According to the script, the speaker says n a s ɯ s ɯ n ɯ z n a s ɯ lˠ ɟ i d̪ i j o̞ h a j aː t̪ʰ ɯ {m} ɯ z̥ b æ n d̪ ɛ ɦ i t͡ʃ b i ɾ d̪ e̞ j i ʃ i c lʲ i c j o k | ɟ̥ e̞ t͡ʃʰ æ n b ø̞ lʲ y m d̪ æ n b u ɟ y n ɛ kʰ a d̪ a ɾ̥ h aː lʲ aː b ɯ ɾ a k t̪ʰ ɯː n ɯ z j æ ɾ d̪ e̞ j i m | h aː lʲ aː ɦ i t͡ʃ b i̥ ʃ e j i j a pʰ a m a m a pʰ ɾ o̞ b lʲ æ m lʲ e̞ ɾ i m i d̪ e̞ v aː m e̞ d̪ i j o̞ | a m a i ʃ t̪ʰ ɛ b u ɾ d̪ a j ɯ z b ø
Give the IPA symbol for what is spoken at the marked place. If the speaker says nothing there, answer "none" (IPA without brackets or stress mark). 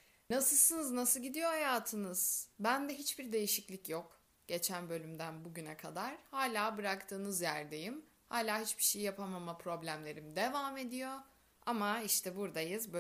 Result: n